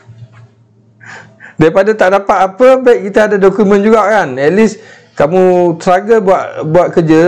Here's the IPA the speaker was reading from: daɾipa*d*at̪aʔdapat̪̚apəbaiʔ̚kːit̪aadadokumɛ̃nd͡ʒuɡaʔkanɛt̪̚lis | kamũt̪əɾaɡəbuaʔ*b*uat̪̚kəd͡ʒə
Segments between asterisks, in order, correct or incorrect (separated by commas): correct, correct